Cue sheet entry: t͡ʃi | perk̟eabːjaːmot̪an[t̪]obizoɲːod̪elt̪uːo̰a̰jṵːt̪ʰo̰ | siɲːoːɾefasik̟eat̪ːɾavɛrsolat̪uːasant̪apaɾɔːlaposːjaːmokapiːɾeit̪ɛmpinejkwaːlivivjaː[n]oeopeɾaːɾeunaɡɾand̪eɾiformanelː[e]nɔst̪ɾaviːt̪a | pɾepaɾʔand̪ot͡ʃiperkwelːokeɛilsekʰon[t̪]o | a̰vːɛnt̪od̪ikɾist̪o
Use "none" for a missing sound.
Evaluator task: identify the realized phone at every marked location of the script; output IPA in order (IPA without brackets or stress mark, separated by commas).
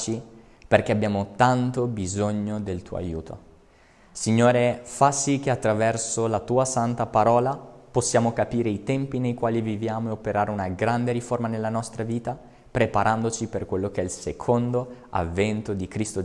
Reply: t̪, m, a, d̪